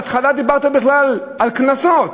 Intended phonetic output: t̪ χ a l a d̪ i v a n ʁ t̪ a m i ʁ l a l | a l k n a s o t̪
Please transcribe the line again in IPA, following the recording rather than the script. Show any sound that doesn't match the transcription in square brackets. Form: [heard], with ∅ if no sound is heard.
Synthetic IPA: t̪ χ a l a d̪ i [b] a [∅] ʁ t̪ a [b] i [χ] l a l | a l k n a s o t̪